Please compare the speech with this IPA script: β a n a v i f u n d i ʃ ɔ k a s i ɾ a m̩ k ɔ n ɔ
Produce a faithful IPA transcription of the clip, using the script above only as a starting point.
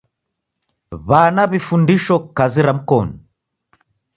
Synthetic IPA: β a n a β i f u n d i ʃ ɔ k a z i ɾ a m̩ k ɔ n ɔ